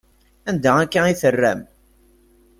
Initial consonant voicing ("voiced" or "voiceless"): voiced